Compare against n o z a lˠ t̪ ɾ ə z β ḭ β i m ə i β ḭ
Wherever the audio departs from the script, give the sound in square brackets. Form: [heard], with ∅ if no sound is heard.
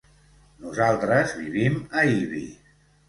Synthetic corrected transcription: n [u] z a lˠ t̪ ɾ ə z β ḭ β i m ə i β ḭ